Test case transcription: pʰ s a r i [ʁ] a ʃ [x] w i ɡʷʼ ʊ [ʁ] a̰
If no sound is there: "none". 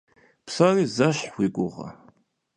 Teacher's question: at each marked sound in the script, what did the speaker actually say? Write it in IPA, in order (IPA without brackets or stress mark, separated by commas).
z, ħ, ʁ